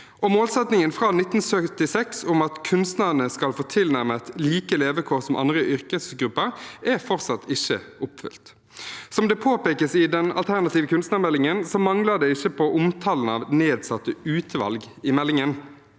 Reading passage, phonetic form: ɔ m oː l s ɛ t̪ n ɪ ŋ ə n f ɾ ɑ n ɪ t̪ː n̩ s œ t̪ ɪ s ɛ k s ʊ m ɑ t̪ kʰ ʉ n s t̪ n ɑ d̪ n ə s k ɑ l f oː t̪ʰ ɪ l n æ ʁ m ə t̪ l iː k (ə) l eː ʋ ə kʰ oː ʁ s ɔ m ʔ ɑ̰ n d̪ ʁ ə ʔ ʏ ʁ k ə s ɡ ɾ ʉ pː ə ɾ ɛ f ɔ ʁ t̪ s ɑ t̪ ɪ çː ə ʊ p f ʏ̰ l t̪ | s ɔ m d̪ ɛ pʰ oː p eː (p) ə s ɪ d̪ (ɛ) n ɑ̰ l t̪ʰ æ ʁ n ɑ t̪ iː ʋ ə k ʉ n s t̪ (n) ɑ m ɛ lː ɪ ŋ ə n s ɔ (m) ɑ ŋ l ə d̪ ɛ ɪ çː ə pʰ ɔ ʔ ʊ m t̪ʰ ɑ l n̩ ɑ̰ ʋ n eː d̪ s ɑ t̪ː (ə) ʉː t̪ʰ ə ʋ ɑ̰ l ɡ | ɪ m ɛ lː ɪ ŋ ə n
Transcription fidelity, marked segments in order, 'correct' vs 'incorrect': correct, incorrect: k, correct, correct, correct, correct

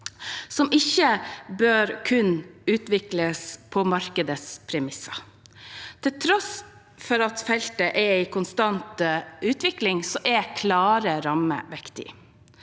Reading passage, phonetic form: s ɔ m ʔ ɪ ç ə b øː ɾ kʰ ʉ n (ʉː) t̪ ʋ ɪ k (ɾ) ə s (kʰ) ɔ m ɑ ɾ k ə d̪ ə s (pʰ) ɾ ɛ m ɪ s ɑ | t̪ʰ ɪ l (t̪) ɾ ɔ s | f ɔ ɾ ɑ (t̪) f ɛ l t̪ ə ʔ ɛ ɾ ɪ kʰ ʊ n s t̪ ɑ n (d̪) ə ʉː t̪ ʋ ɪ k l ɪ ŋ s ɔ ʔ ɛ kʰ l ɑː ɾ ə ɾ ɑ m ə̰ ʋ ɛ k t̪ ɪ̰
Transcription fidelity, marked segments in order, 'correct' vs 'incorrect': correct, incorrect: l, incorrect: pʰ, correct, incorrect: t̪ʰ, correct, incorrect: t̪

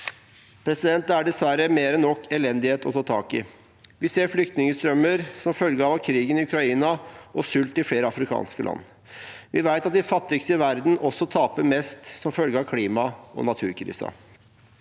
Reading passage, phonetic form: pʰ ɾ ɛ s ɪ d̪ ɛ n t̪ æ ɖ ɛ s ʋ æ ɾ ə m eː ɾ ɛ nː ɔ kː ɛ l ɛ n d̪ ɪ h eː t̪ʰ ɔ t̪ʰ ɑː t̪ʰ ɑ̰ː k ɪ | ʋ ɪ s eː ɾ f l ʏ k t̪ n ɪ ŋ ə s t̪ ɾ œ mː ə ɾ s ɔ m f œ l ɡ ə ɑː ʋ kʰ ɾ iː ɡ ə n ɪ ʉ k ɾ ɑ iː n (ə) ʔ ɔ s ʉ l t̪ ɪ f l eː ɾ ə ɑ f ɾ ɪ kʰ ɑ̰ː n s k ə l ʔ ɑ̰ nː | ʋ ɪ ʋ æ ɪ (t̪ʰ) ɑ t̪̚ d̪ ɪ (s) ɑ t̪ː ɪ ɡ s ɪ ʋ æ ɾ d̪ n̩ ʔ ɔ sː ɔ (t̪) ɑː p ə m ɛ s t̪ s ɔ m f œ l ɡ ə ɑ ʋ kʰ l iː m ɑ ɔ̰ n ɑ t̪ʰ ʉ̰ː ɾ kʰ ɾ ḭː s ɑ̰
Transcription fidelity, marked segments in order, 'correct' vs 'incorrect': incorrect: ɑ, incorrect: t̪, incorrect: f, incorrect: t̪ʰ

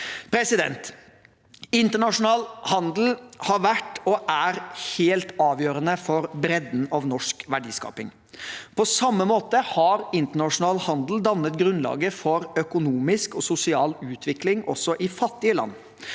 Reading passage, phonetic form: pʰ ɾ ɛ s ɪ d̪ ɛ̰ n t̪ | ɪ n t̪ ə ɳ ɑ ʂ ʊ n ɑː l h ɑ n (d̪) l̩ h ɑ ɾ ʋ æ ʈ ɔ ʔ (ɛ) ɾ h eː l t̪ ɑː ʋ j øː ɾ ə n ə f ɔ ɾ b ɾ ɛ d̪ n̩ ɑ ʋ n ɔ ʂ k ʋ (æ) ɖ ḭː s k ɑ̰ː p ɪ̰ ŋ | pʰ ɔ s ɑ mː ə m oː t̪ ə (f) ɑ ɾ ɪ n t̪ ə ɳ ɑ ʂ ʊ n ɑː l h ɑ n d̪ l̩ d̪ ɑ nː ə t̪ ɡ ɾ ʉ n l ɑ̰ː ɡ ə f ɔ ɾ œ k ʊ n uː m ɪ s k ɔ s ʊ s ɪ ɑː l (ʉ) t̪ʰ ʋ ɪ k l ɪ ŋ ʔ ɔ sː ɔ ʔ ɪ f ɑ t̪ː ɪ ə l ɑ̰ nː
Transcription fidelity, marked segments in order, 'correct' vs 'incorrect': correct, incorrect: æ, correct, incorrect: h, incorrect: ʉː

